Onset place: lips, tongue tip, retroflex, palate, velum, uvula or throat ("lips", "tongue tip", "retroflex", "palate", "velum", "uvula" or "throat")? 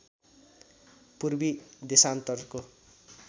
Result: lips